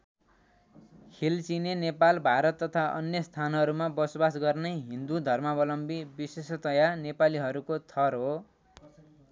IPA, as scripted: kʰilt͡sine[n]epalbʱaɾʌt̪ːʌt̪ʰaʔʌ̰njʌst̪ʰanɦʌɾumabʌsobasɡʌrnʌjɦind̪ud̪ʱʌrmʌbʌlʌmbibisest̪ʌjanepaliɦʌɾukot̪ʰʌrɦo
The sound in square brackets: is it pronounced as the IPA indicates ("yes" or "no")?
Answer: yes